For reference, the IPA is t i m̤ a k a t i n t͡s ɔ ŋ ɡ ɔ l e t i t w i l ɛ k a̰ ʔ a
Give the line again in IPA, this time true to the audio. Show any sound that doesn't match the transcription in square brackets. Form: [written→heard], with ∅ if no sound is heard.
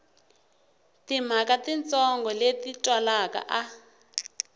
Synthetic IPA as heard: t i m̤ a k a t i n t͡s ɔ ŋ ɡ ɔ l e t i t w [i→a] l [ɛ→a] k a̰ ʔ a